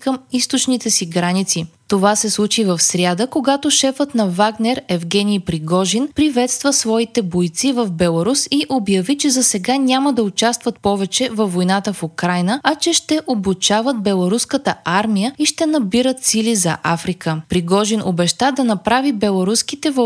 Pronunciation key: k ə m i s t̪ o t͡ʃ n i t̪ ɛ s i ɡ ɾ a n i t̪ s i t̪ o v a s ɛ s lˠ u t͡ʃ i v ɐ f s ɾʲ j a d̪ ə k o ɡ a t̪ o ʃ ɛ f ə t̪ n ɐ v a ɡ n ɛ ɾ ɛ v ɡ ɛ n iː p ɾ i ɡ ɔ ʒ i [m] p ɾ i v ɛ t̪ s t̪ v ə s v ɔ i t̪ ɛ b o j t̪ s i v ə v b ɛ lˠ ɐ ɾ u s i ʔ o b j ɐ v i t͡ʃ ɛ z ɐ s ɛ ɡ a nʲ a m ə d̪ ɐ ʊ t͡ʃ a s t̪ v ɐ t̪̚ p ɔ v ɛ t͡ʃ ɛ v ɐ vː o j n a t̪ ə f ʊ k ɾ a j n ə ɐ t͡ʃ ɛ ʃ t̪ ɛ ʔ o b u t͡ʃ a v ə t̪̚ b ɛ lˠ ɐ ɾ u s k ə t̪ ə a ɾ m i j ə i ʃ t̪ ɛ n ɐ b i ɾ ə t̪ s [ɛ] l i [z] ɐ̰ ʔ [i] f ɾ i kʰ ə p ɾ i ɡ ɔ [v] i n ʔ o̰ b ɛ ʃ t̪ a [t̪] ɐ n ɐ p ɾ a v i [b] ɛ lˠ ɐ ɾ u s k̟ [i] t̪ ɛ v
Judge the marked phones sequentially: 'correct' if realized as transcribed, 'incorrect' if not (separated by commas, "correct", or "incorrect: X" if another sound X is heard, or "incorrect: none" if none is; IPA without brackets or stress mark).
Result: incorrect: n, incorrect: i, correct, incorrect: a, incorrect: ʒ, incorrect: d̪, correct, correct